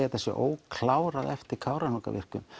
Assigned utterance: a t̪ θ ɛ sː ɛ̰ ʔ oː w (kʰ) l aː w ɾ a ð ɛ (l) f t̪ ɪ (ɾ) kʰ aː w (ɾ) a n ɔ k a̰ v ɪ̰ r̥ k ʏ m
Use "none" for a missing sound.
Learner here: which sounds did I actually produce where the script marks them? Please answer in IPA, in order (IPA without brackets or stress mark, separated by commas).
kʰ, none, ɾ, ɾ